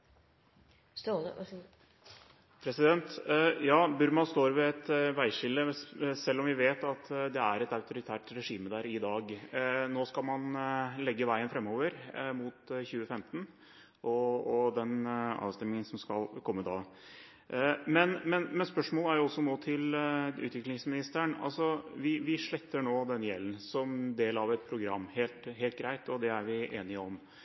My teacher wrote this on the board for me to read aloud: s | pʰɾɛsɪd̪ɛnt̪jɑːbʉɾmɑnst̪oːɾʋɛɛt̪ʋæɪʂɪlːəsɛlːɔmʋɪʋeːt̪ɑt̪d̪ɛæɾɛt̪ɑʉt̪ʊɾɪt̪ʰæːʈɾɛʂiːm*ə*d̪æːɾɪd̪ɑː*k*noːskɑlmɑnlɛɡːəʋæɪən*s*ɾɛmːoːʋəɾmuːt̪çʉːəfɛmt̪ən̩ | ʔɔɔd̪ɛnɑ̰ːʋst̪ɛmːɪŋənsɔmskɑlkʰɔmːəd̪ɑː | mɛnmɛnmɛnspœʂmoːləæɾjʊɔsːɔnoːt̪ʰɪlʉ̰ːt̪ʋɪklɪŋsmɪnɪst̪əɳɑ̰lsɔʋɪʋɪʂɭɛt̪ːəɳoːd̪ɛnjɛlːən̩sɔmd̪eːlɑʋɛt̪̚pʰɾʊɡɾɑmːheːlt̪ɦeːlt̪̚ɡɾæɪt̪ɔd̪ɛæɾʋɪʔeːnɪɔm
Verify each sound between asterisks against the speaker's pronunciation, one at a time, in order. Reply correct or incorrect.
correct, incorrect: ɡ, incorrect: f

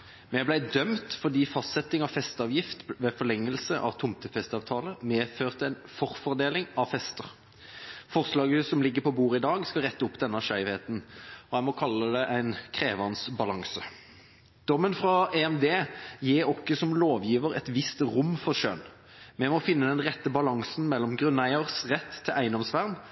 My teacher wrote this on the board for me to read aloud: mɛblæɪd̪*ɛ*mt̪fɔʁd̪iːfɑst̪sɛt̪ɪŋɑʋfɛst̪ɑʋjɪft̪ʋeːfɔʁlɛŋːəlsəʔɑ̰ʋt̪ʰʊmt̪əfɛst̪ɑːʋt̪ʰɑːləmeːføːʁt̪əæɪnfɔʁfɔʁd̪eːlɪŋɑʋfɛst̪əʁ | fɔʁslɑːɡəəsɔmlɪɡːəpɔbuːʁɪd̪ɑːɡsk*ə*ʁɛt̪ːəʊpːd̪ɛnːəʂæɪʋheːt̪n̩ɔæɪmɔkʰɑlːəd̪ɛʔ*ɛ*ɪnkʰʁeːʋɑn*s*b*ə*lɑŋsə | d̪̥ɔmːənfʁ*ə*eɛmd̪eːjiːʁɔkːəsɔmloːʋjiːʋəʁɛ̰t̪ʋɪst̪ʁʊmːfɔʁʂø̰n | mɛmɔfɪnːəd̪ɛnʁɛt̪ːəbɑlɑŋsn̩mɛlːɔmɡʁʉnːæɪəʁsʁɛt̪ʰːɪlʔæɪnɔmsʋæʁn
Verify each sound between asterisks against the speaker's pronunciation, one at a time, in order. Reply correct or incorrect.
incorrect: œ, incorrect: ɑ, incorrect: æ, correct, incorrect: ɑ, incorrect: ɑ

